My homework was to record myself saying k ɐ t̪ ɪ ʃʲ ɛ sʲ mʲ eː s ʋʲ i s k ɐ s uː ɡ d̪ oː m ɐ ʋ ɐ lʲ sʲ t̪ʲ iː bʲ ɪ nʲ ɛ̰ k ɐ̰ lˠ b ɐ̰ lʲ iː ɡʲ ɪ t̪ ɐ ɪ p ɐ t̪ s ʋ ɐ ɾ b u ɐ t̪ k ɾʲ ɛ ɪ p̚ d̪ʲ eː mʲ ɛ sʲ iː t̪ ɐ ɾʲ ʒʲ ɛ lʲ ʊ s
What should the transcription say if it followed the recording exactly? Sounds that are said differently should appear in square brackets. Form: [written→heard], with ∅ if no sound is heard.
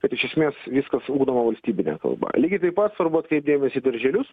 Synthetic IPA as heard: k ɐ t̪ ɪ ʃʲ ɛ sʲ mʲ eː s ʋʲ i s k ɐ s uː ɡ d̪ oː m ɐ ʋ ɐ lʲ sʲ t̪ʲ iː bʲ ɪ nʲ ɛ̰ k ɐ̰ lˠ b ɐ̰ lʲ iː ɡʲ ɪ t̪ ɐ ɪ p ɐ t̪ s ʋ ɐ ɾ b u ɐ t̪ k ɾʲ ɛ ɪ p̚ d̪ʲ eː mʲ ɛ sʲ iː [t̪→d̪] ɐ ɾʲ ʒʲ ɛ lʲ ʊ s